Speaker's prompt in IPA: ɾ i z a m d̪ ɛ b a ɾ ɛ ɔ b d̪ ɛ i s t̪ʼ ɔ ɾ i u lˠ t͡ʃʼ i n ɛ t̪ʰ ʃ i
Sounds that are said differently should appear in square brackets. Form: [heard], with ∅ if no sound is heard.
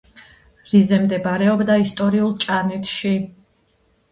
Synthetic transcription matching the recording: ɾ i z [ɛ] m d̪ ɛ b a ɾ ɛ ɔ b d̪ [a] i s t̪ʼ ɔ ɾ i u lˠ t͡ʃʼ [a] n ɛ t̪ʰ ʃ i